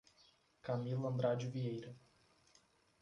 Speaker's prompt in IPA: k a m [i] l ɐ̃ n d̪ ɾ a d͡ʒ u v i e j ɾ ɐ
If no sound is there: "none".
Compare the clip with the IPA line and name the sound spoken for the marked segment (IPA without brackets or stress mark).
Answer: i